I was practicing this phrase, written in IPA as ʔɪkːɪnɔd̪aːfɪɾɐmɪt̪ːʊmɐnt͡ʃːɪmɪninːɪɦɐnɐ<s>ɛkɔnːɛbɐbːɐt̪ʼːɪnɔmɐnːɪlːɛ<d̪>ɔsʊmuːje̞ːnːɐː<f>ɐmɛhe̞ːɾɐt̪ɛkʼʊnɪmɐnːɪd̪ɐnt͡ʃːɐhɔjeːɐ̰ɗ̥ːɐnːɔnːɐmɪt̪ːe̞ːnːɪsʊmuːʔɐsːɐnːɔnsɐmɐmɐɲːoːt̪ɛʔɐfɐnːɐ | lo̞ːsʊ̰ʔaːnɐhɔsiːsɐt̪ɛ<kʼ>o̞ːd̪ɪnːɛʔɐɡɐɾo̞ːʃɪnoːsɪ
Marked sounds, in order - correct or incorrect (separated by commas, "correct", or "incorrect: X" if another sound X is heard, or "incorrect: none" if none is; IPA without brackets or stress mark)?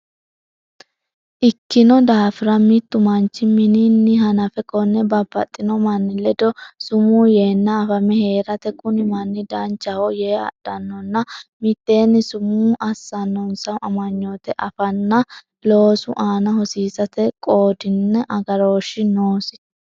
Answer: incorrect: f, correct, correct, correct